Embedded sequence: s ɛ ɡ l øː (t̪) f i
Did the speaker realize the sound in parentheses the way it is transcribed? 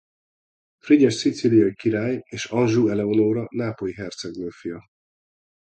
no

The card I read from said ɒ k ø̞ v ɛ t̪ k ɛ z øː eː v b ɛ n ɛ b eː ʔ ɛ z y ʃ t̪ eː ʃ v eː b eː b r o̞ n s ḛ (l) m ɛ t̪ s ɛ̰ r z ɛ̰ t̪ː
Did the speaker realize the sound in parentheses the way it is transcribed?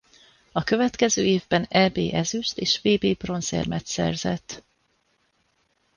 no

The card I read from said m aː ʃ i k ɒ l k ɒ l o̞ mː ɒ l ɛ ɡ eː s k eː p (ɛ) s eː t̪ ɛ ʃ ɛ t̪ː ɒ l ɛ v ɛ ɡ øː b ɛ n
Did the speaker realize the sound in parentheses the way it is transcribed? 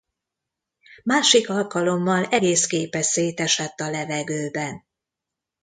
yes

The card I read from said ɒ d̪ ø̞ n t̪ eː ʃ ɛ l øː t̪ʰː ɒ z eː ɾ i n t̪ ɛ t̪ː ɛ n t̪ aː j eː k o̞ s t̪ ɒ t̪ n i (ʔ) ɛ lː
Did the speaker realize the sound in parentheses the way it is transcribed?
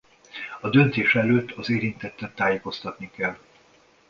no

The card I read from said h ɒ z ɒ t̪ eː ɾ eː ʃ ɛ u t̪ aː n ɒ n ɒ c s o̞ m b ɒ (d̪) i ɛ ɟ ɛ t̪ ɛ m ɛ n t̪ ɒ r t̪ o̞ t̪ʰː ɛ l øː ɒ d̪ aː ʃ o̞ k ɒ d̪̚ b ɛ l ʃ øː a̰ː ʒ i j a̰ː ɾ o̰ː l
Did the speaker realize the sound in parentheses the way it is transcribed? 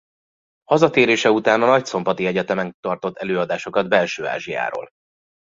no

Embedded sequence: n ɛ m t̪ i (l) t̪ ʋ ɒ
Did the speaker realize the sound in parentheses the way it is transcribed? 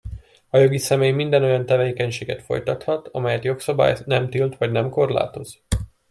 yes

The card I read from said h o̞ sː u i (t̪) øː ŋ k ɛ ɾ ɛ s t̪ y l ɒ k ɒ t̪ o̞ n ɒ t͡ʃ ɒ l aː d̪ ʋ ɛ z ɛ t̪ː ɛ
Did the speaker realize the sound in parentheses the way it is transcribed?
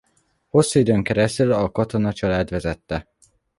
no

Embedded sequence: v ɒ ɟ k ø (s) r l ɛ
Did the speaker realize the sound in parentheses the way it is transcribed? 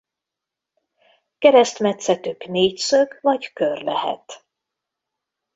no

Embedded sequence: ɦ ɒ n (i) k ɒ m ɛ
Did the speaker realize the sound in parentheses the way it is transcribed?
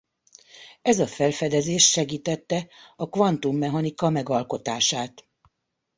yes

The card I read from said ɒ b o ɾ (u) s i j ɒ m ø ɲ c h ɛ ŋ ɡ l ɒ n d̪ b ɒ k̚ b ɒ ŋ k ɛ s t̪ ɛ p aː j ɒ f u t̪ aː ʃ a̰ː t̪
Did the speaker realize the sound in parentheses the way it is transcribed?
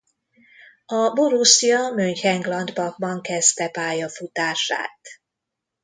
yes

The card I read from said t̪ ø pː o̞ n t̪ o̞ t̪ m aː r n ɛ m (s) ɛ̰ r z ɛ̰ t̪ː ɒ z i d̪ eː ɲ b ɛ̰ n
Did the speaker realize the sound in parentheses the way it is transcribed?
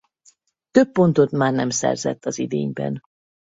yes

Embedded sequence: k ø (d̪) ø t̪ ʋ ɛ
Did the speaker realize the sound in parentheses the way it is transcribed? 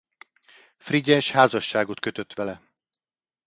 no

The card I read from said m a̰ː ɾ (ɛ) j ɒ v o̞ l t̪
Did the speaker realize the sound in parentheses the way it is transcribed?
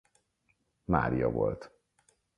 no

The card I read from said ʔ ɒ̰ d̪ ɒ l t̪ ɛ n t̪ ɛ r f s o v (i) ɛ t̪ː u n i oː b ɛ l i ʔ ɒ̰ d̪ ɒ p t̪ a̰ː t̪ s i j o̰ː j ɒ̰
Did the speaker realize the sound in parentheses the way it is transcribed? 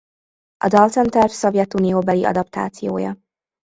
no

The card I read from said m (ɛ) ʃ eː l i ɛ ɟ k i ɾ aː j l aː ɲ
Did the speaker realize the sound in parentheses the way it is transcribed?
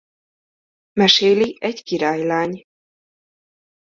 yes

